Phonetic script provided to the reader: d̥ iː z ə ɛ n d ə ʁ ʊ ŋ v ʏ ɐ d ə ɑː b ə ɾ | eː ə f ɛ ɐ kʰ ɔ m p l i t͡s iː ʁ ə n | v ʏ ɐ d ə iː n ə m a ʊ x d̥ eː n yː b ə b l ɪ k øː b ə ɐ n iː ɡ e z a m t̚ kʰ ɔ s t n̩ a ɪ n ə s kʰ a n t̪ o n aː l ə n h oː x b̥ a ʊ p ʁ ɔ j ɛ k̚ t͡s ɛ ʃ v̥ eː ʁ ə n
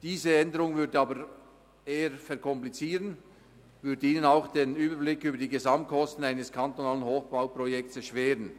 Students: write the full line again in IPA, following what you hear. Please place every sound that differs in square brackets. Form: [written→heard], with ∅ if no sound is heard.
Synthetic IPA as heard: d̥ iː z ə ɛ n d ə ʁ ʊ ŋ v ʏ ɐ d ə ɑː b ə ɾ | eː ə f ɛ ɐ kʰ ɔ m p l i t͡s iː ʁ ə n | v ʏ ɐ d ə iː n ə [m→n] a ʊ x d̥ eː n yː b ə b l ɪ k [øː→yː] b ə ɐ [n→d] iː ɡ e z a m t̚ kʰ ɔ s t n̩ a ɪ n ə s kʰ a n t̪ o n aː l ə n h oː x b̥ a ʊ p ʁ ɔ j ɛ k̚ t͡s ɛ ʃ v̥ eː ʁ ə n